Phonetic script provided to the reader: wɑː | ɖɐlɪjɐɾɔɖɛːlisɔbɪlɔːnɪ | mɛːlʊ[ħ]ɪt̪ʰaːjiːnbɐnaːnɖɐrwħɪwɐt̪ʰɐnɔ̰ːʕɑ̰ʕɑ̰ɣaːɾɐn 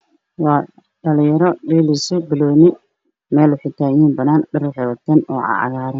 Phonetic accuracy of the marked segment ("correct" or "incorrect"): correct